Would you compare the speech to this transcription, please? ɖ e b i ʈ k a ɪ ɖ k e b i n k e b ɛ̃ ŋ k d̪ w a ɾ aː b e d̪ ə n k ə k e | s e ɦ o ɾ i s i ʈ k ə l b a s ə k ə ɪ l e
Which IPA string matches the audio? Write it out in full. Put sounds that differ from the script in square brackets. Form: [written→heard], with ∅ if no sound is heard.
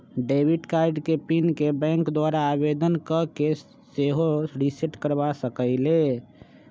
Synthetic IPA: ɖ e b i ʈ k a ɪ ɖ k e [b→p] i n k e b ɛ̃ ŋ k d̪ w a ɾ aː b e d̪ ə n k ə k e | s e ɦ o ɾ i s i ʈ k ə [l→ɾ] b a s ə k ə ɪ l e